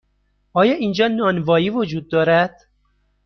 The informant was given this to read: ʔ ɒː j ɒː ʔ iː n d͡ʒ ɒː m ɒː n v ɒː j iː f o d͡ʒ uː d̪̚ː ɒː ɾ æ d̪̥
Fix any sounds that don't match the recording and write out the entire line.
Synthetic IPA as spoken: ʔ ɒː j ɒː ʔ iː n d͡ʒ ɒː n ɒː n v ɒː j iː v o d͡ʒ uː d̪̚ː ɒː ɾ æ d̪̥

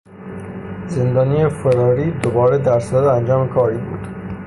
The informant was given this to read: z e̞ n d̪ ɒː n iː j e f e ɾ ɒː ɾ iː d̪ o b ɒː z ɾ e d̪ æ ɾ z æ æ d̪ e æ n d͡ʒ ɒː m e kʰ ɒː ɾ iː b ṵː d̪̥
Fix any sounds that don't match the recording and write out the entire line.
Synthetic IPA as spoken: z e̞ n d̪ ɒː n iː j e f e ɾ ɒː ɾ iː d̪ o b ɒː ɾ e d̪ æ ɾ s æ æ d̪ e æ n d͡ʒ ɒː m e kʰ ɒː ɾ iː b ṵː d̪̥

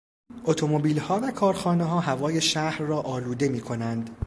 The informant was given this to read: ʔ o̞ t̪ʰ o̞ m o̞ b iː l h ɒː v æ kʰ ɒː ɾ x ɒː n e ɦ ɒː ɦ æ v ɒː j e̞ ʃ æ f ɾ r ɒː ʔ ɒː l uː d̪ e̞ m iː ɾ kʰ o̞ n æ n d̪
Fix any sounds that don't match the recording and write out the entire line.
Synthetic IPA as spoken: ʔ o̞ t̪ʰ o̞ m o̞ b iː l h ɒː v æ kʰ ɒː ɾ x ɒː n e ɦ ɒː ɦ æ v ɒː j e̞ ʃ æ h ɾ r ɒː ʔ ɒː l uː d̪ e̞ m iː kʰ o̞ n æ n d̪

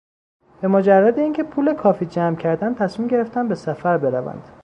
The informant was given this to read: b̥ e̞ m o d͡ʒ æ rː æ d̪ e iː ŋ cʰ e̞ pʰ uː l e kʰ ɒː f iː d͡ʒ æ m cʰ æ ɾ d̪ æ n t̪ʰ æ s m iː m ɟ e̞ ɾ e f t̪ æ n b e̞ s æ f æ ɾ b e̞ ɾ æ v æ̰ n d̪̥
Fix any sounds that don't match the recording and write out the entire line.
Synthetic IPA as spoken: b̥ e̞ m o d͡ʒ æ rː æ d̪ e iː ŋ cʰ e̞ pʰ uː l e kʰ ɒː f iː d͡ʒ æ m cʰ æ ɾ d̪ æ n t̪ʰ æ s m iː m ɟ e̞ ɾ e f t̪ æ n b e̞ s æ f æ ɾ b e̞ ɾ æ v æ̰ n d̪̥

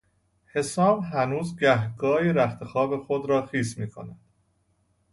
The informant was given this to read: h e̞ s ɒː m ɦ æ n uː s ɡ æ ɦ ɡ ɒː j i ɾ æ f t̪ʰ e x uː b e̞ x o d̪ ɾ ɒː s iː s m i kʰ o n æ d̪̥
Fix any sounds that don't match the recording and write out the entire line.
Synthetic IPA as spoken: h e̞ s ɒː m ɦ æ n uː z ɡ æ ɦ ɡ ɒː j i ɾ æ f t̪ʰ e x ɒː b e̞ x o d̪ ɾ ɒː x iː s m iː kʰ o n æ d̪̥

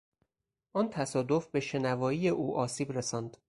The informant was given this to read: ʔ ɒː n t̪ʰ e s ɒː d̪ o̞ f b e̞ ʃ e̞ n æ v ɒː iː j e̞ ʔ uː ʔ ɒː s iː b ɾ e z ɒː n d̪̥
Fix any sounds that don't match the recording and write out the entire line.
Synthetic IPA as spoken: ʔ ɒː n t̪ʰ æ s ɒː d̪ o̞ f b e̞ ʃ e̞ n æ v ɒː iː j e̞ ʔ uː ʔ ɒː s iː b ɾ e s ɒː n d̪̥

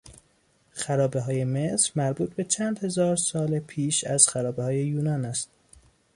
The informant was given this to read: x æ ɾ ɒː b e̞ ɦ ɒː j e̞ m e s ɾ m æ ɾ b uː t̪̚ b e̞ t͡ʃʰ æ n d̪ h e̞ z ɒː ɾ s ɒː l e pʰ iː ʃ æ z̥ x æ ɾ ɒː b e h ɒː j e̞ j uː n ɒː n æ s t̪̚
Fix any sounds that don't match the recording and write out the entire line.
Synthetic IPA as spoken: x æ ɾ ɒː b e̞ ɦ ɒː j e̞ m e s ɾ m æ ɾ b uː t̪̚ b e̞ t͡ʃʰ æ n d̪ h e̞ z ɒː ɾ s ɒː l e pʰ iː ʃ æ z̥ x æ ɾ ɒː b e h ɒː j e̞ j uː n ɒː n æ s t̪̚

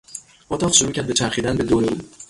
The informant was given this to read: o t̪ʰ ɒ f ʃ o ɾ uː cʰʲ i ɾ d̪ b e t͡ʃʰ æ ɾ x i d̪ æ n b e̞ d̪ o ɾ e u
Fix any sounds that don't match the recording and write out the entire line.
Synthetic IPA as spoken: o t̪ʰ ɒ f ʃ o ɾ uː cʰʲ æ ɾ d̪ b e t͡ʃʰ æ ɾ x i d̪ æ n b e̞ d̪ o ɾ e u

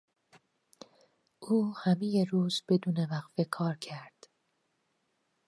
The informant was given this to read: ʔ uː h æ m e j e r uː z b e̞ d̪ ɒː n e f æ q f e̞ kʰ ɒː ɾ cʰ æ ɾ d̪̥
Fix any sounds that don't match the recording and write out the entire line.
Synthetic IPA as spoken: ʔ uː h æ m e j e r uː z b e̞ d̪ uː n e v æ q f e̞ kʰ ɒː ɾ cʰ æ ɾ d̪̥

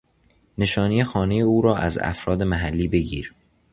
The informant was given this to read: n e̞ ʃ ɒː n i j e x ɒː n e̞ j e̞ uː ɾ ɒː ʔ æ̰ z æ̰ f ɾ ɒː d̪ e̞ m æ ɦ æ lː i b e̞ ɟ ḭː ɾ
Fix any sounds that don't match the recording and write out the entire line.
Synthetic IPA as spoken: n e̞ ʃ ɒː n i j e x ɒː n e̞ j e̞ uː ɾ ɒː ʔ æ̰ z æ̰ f ɾ ɒː d̪ e̞ m æ ɦ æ lː iː b e̞ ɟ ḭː ɾ

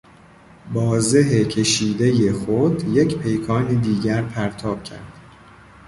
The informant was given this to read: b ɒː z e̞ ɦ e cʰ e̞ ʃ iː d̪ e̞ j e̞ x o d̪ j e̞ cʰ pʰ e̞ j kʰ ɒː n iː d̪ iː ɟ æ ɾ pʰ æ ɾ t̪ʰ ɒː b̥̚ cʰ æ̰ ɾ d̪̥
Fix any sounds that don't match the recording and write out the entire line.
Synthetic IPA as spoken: b ɒː z e̞ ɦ e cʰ e̞ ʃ iː d̪ e̞ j e̞ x o d̪ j e̞ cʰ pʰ e̞ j kʰ ɒː n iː d̪ iː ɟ æ ɾ pʰ æ ɾ t̪ʰ ɒː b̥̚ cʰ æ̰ ɾ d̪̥

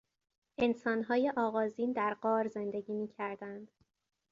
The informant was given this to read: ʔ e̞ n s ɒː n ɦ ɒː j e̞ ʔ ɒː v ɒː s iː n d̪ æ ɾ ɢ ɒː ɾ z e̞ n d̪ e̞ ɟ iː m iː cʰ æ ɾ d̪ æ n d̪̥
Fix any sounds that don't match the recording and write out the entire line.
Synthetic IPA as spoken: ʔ e̞ n s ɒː n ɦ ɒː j e̞ ʔ ɒː ɣ ɒː z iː n d̪ æ ɾ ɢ ɒː ɾ z e̞ n d̪ e̞ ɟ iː m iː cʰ æ ɾ d̪ æ n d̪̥

